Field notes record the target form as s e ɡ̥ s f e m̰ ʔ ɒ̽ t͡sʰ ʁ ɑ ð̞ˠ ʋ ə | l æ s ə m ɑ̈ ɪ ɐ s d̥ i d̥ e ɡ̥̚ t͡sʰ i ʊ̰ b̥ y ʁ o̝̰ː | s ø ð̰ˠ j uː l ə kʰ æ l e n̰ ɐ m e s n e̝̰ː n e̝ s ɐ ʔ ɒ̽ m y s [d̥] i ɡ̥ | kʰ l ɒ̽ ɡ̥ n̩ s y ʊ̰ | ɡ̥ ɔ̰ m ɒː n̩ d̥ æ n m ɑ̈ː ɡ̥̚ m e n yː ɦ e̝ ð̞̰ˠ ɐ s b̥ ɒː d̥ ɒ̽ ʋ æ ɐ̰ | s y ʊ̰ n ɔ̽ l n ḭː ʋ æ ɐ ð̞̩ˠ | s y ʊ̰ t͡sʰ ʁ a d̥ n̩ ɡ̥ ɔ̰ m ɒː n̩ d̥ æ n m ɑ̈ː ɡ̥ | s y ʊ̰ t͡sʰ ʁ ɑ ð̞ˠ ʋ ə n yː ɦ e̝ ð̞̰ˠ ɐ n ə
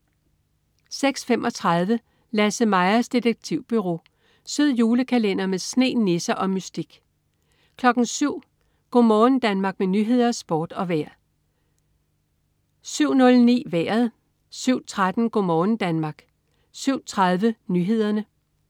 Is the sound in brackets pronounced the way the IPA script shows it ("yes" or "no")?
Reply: yes